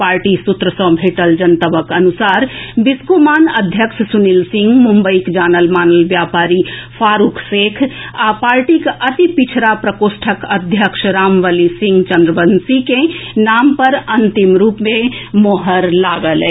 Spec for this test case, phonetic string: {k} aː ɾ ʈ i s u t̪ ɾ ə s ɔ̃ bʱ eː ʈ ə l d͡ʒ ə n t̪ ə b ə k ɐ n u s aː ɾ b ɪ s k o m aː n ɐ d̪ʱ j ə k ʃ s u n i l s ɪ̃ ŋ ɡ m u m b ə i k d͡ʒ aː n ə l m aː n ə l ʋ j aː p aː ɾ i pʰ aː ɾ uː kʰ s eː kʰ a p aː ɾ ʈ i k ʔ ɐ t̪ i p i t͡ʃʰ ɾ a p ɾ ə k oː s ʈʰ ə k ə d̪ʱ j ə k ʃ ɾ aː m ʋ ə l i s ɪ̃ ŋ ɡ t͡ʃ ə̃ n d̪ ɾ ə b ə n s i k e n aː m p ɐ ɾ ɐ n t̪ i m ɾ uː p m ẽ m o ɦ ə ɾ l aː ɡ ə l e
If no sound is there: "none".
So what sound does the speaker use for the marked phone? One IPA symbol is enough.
p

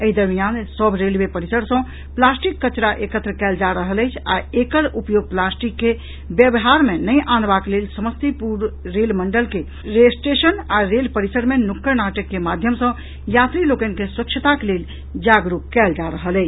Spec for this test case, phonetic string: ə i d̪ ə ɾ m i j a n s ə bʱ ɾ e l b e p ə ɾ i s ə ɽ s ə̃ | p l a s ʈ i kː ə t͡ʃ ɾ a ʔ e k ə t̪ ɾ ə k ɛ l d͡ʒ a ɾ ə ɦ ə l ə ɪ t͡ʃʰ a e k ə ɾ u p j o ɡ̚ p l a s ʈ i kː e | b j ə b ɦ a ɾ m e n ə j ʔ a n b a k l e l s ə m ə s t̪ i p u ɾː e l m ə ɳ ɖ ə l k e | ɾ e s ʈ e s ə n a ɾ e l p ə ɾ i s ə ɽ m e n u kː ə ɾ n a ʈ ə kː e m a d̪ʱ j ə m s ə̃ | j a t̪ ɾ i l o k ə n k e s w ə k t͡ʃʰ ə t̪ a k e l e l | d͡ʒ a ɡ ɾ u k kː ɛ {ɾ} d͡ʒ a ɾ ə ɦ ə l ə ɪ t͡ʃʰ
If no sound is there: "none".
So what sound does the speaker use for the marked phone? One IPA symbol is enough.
l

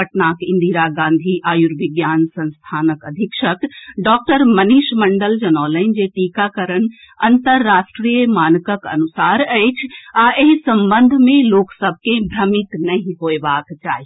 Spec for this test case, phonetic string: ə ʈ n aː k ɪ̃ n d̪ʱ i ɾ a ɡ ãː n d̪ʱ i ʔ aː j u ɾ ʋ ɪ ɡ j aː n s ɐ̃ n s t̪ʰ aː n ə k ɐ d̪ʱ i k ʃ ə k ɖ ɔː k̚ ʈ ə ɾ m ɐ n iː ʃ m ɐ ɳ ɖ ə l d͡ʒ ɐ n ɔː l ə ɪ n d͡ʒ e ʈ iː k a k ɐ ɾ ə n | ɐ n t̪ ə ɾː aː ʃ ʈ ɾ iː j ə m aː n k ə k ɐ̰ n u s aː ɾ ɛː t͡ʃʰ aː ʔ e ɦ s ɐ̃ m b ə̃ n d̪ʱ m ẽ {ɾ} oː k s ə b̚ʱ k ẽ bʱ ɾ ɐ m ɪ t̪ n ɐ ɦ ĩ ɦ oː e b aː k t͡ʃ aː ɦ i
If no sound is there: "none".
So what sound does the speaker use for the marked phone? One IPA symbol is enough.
l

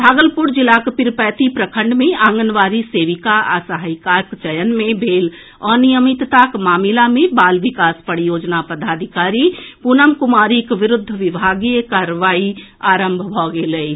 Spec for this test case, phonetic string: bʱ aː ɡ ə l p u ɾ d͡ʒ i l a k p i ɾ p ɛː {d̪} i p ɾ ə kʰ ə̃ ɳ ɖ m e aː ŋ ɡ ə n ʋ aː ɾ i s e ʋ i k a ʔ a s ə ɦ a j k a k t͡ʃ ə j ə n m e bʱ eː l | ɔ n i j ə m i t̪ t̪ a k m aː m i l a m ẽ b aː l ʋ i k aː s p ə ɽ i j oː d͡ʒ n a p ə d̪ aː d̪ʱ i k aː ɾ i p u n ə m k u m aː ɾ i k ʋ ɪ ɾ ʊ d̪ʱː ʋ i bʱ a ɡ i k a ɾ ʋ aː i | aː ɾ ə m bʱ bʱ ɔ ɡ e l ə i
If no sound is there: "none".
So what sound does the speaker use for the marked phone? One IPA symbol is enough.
t̪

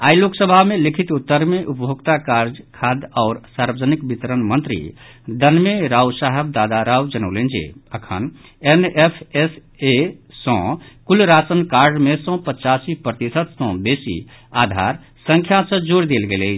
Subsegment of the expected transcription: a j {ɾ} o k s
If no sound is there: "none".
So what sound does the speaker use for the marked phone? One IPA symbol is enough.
l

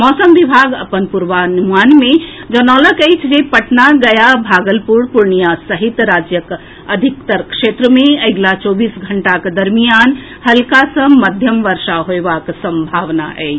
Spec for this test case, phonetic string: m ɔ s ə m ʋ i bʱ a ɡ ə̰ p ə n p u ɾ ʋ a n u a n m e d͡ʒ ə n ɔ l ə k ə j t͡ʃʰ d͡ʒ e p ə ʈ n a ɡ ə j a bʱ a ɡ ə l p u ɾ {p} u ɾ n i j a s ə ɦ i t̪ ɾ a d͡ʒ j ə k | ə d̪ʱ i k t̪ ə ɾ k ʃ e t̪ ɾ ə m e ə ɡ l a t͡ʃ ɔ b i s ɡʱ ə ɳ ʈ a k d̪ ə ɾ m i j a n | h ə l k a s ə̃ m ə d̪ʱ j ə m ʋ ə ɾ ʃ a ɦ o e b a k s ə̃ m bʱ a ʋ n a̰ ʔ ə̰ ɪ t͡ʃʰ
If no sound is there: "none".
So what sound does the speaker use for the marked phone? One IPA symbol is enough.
p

